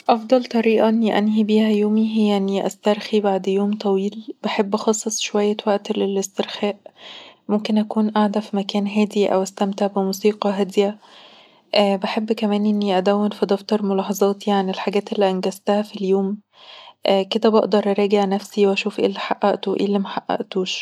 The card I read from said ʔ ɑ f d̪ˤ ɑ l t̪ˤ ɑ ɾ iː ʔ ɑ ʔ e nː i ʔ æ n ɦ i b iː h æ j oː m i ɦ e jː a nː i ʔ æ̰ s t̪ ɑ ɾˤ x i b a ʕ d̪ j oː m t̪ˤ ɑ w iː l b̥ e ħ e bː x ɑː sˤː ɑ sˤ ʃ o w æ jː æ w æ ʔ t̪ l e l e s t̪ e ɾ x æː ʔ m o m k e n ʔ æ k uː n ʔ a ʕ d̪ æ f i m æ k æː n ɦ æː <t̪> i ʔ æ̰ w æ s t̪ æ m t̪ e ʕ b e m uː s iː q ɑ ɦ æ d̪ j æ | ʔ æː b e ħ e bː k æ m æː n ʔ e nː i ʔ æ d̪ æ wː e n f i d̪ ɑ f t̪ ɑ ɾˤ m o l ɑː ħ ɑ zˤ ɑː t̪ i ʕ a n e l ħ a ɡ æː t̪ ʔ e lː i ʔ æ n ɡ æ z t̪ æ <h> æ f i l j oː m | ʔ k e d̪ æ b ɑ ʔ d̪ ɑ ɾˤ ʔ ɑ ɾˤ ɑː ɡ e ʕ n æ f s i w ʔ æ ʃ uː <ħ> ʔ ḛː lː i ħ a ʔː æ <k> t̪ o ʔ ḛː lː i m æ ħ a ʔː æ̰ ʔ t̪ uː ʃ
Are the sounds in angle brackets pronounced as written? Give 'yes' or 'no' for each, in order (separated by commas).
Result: no, yes, no, no